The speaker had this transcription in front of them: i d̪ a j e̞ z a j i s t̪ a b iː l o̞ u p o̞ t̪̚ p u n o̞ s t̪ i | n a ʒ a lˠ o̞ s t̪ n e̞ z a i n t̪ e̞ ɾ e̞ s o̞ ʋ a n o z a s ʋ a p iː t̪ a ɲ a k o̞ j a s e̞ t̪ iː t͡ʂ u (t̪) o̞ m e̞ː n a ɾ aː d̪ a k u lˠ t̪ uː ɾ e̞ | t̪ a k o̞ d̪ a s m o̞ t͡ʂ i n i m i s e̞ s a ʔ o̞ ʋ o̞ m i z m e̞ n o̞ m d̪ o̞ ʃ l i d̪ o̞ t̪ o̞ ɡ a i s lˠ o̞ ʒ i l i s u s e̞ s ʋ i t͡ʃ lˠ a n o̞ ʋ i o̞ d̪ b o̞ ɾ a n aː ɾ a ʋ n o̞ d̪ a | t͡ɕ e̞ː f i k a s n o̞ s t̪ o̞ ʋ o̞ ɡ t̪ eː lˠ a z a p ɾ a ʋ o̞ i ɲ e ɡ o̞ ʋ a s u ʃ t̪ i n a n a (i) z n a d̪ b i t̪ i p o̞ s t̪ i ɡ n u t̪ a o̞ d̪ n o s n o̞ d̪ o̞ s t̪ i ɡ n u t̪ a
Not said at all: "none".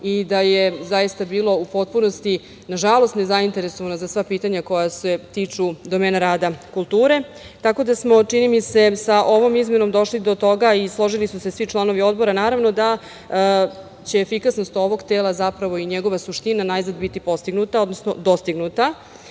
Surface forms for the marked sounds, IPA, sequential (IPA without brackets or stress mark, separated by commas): d̪, j